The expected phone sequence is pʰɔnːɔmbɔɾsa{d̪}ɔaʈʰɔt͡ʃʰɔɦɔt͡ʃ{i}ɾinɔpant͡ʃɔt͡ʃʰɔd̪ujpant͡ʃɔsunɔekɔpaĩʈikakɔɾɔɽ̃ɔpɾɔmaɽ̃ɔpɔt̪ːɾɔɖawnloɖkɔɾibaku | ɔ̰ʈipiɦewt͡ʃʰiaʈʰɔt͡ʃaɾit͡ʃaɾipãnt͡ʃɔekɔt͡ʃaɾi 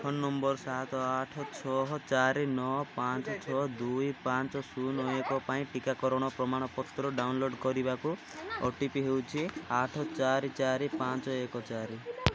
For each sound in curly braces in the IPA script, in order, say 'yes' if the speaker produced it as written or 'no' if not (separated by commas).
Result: no, no